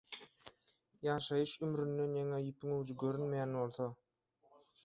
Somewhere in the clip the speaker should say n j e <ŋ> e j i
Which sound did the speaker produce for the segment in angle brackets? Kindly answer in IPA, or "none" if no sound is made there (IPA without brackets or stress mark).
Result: ŋ